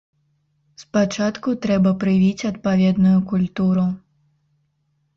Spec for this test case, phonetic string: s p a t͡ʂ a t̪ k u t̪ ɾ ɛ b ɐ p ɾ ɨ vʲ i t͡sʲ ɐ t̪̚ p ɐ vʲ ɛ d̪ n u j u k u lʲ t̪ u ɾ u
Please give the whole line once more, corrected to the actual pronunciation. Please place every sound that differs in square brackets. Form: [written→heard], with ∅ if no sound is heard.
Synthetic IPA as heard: s p a t͡ʂ a t̪ k u t̪ ɾ ɛ b ɐ p ɾ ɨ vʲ i t͡sʲ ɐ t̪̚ p [ɐ→a] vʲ ɛ d̪ n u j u k u lʲ t̪ u ɾ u